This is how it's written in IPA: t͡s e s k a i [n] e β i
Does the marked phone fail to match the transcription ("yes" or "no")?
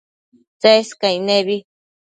no